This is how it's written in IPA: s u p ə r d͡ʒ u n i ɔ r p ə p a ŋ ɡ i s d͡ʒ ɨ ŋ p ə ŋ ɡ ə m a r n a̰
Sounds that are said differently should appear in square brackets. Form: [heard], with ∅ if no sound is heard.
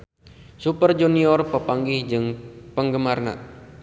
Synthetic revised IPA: s u p ə r d͡ʒ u n i ɔ r p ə p a ŋ ɡ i [h] d͡ʒ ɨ ŋ p ə ŋ ɡ ə m a r n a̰

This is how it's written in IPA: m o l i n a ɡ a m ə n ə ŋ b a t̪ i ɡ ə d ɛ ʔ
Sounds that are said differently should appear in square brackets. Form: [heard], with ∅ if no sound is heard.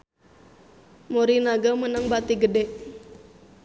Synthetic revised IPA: m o [ɾ] i n a ɡ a m ə n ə ŋ b a t̪ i ɡ ə d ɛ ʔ

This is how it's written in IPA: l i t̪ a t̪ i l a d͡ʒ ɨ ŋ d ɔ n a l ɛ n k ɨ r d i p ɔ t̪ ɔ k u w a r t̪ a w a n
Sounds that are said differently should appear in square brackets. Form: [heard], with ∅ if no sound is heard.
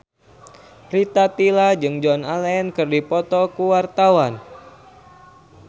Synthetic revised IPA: [r] i t̪ a t̪ i l a d͡ʒ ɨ ŋ [d͡ʒ] ɔ n a l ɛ n k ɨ r d i p ɔ t̪ ɔ k u w a r t̪ a w a n

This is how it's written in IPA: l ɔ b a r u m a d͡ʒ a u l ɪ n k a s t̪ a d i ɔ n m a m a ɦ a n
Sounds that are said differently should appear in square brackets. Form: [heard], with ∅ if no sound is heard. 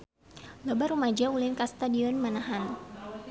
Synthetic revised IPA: l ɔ b a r u m a d͡ʒ a u l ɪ n k a s t̪ a d i ɔ n m a [n] a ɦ a n

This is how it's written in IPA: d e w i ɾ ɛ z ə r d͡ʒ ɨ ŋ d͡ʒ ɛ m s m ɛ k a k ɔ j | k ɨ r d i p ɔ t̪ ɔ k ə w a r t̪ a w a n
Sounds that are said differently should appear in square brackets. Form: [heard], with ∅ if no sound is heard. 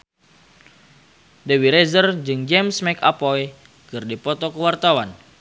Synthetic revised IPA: d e w i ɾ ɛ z ə r d͡ʒ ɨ ŋ d͡ʒ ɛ m s m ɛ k a [p] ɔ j | k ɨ r d i p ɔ t̪ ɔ k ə w a r t̪ a w a n

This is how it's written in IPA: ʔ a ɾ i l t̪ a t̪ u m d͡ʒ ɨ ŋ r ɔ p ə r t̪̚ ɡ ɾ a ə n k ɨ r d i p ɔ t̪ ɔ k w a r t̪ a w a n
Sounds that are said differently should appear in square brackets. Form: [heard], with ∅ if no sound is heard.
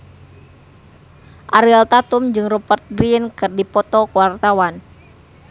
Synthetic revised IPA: ʔ a ɾ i l t̪ a t̪ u m d͡ʒ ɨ ŋ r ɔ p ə r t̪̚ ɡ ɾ [i] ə n k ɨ r d i p ɔ t̪ ɔ k w a r t̪ a w a n

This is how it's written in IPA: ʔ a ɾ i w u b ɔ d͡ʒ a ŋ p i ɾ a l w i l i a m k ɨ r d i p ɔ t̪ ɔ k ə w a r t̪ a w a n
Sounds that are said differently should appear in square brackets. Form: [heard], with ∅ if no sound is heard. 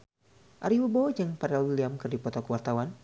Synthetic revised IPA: ʔ a ɾ i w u b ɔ d͡ʒ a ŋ p [a] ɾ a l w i l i a m k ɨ r d i p ɔ t̪ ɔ k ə w a r t̪ a w a n

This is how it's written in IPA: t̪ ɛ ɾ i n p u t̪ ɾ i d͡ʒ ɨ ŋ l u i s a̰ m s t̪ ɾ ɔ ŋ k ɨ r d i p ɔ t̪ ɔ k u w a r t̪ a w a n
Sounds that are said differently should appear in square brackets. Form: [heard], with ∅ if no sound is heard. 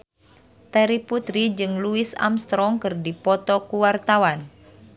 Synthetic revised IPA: t̪ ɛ ɾ i [∅] p u t̪ ɾ i d͡ʒ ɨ ŋ l u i s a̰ m s t̪ ɾ ɔ ŋ k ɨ r d i p ɔ t̪ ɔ k u w a r t̪ a w a n

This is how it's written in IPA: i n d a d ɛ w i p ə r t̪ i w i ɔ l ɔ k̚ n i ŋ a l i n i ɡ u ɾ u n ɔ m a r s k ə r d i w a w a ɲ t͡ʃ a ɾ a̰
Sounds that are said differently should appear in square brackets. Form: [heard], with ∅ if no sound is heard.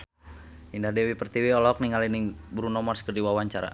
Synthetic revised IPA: i n d a d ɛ w i p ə r t̪ i w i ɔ l ɔ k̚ n i ŋ a l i n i [b] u ɾ u n ɔ m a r s k ə r d i w a w a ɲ t͡ʃ a ɾ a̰

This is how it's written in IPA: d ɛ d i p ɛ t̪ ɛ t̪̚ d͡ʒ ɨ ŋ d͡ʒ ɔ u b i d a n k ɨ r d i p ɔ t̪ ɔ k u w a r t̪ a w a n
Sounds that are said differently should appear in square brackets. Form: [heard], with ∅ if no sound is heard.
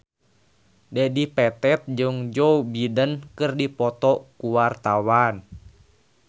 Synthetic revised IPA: d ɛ d i p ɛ t̪ ɛ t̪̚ d͡ʒ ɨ ŋ d͡ʒ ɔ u b i d [ə] n k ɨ r d i p ɔ t̪ ɔ k u w a r t̪ a w a n

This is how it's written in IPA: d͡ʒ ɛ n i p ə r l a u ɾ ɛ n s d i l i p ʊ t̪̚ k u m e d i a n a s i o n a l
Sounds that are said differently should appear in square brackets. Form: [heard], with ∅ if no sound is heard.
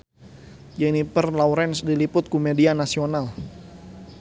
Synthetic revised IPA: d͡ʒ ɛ n i p ə r l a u ɾ ɛ n s d i l i p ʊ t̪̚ k u m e d i a n a s i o n a l

